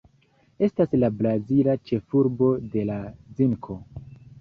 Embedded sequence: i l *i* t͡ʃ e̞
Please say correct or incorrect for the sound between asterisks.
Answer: incorrect